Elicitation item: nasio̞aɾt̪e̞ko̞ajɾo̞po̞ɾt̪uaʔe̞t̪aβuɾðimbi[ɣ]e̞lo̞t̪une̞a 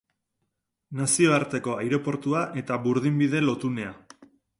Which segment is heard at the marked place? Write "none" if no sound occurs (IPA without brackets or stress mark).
ð